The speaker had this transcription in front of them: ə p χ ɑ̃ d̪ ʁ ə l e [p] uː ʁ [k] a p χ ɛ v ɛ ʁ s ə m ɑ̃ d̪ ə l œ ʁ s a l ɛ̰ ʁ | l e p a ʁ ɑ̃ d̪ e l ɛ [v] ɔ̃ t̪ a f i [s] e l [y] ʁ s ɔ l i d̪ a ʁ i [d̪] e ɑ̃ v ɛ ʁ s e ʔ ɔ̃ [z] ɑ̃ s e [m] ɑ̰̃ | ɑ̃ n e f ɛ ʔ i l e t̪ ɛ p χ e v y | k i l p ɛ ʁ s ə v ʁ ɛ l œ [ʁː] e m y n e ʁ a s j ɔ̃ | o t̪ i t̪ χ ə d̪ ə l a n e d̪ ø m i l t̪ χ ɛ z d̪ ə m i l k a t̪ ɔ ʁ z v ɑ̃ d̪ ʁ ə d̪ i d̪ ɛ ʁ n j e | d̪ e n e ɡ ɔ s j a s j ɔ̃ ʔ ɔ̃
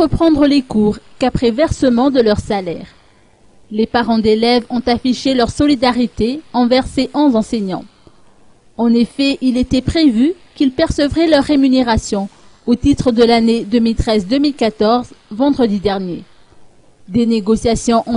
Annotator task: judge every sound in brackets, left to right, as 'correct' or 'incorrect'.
incorrect, correct, correct, incorrect, incorrect, incorrect, correct, incorrect, correct

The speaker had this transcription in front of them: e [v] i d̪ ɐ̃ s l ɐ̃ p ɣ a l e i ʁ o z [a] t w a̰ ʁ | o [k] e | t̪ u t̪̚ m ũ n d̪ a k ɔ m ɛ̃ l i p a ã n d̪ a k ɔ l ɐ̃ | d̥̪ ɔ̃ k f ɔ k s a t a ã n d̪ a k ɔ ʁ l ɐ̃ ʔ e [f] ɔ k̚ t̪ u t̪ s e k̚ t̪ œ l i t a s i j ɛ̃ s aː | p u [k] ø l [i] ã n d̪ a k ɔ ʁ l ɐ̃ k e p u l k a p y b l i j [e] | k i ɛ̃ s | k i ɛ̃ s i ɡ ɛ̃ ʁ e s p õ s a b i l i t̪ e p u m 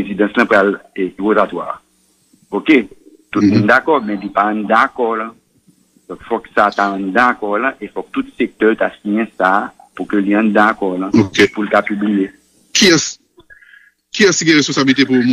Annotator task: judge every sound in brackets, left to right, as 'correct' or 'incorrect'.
incorrect, correct, correct, correct, correct, correct, correct

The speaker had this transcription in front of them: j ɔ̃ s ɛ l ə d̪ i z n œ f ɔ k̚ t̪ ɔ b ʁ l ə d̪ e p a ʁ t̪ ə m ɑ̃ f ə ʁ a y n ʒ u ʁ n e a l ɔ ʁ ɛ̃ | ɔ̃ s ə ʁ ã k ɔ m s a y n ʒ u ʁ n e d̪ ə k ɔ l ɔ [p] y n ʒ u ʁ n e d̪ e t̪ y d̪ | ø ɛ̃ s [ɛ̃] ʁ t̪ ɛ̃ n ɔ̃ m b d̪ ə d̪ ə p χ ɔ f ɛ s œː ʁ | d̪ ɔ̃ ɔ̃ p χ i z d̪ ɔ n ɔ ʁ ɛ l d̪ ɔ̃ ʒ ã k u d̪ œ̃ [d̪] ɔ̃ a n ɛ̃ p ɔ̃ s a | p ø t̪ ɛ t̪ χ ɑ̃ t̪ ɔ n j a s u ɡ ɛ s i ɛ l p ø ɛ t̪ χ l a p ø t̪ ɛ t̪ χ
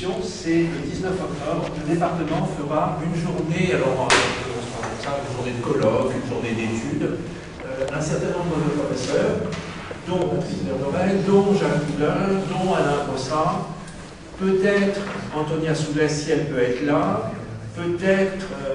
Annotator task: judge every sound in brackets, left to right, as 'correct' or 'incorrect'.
incorrect, incorrect, correct

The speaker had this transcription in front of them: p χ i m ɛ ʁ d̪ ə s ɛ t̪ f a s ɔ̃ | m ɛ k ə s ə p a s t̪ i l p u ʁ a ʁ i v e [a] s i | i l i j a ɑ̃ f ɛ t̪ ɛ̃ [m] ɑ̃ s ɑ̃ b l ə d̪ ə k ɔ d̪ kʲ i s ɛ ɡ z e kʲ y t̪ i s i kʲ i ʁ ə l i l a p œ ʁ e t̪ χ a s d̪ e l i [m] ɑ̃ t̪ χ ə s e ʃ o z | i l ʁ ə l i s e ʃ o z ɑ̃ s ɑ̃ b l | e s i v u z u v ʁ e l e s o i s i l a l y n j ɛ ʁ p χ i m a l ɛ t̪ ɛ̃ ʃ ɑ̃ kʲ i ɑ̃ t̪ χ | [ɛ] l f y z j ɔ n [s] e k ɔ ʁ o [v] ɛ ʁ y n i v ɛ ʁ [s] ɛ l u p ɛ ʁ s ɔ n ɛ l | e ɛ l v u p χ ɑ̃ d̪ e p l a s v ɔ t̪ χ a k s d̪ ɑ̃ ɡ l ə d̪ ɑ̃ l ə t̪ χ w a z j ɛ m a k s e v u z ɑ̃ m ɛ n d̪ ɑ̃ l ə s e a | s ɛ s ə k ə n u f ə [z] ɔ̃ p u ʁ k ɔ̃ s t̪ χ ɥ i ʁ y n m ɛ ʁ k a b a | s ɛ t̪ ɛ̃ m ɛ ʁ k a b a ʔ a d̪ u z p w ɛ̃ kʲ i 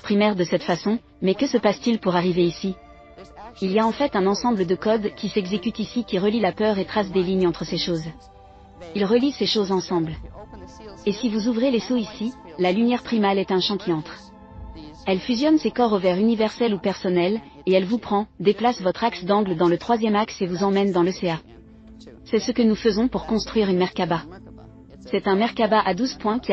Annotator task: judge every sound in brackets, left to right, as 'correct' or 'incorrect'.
incorrect, incorrect, incorrect, correct, correct, correct, correct, correct

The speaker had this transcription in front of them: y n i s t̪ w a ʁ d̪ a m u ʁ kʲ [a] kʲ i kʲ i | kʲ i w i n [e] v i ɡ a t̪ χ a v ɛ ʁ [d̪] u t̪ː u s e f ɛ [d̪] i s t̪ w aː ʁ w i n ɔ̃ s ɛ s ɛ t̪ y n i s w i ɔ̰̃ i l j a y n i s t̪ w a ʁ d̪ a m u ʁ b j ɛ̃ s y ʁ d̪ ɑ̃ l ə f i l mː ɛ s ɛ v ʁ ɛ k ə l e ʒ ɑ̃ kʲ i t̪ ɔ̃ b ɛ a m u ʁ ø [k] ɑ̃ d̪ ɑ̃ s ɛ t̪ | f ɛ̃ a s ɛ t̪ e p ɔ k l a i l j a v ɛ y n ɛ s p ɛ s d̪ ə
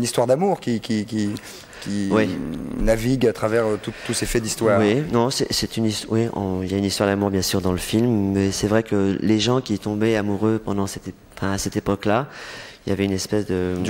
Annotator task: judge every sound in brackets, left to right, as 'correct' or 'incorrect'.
incorrect, incorrect, incorrect, correct, incorrect

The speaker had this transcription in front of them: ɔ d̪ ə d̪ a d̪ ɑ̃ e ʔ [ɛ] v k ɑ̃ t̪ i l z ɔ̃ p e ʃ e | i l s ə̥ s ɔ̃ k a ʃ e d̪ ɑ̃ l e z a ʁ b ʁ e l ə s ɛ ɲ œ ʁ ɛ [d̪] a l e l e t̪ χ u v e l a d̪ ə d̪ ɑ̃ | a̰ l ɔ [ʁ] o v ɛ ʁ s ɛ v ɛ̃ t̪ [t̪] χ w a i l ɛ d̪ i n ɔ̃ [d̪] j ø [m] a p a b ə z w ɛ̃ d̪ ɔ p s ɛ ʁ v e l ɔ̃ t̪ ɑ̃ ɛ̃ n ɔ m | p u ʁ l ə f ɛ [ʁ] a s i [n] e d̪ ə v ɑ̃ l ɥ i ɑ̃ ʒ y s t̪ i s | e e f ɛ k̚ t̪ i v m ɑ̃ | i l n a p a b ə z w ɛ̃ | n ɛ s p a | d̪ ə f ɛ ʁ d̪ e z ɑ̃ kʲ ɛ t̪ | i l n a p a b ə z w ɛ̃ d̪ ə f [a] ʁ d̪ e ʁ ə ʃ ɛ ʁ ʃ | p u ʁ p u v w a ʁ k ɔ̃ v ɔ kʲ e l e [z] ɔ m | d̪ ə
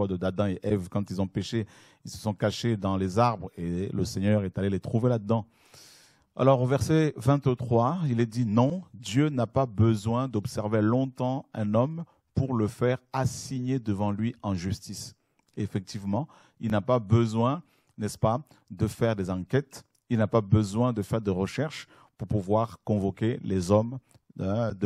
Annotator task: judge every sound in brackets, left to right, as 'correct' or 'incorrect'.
correct, incorrect, correct, correct, correct, incorrect, correct, incorrect, incorrect, correct

